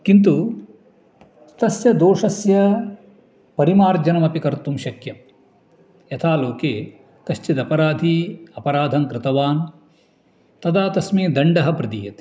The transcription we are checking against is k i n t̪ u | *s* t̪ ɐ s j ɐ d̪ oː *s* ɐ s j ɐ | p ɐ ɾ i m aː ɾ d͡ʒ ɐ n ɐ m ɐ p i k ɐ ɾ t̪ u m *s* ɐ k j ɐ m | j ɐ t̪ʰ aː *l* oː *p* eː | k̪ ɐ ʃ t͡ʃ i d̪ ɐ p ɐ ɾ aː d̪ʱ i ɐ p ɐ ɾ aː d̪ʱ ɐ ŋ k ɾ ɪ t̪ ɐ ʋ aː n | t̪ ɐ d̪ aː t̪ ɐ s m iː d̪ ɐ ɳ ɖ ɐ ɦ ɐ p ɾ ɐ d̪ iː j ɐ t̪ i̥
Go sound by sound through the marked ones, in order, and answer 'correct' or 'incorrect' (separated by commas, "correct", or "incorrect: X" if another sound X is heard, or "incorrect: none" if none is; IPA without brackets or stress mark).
correct, incorrect: ʂ, incorrect: ʃ, correct, incorrect: k